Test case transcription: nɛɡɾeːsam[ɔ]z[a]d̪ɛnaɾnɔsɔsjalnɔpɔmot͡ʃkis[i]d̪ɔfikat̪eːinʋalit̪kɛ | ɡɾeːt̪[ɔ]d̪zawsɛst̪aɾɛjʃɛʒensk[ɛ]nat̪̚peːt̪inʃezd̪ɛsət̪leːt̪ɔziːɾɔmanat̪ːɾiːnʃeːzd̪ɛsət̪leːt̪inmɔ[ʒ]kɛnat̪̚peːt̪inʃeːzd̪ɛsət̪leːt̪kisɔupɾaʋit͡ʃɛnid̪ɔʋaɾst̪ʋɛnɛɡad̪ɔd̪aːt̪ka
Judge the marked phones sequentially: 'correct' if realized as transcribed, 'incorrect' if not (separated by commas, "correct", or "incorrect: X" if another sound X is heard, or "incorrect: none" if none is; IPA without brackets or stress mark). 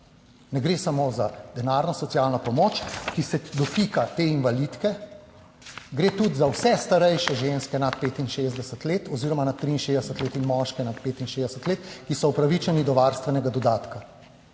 incorrect: o, correct, incorrect: ɛ, incorrect: u, correct, incorrect: ʃ